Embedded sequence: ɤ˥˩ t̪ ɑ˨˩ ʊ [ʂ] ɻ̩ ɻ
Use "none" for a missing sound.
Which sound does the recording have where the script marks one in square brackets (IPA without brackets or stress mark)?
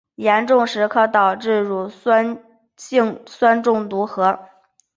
ʈ͡ʂ